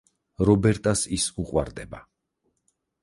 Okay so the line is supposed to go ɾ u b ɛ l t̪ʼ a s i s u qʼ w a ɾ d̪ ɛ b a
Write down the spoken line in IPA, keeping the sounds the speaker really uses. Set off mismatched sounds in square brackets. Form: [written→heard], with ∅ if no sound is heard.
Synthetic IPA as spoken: ɾ [u→ɔ] b ɛ [l→ɾ] t̪ʼ a s i s u qʼ w a ɾ d̪ ɛ b a